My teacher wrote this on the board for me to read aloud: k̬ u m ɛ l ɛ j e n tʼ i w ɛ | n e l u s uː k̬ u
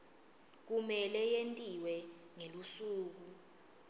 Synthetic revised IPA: k̬ u m ɛ l ɛ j e n tʼ i w ɛ | ŋ e l u s uː k̬ u